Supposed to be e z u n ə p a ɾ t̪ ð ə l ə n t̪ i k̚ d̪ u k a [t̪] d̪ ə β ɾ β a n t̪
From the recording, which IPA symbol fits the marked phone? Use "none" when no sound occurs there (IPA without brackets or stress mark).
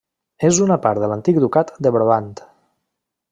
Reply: t̪